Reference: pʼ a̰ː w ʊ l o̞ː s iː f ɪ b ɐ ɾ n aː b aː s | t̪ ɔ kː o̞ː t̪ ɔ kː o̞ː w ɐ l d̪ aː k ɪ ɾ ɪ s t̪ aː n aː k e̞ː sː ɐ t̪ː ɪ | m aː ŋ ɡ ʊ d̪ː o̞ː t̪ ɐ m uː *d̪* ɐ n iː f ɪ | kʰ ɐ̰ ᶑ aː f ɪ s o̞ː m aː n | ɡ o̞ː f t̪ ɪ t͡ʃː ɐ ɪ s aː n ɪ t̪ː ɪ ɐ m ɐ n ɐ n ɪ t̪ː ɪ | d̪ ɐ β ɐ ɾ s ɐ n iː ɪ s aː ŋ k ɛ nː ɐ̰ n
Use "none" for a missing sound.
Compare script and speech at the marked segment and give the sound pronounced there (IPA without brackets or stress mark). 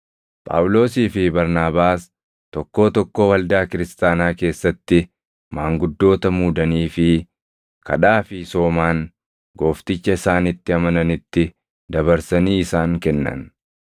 d̪